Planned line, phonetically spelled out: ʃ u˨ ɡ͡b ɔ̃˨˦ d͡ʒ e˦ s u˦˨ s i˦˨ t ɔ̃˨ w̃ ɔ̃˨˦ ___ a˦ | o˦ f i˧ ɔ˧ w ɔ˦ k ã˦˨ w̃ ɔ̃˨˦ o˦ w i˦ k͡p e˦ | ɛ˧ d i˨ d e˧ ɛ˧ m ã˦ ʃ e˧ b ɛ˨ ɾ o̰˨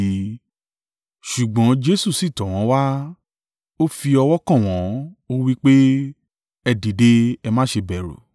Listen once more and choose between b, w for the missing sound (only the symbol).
w